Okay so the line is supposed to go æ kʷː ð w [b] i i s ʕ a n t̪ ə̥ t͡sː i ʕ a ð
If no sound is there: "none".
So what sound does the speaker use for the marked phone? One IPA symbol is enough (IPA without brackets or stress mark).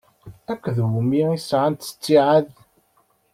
m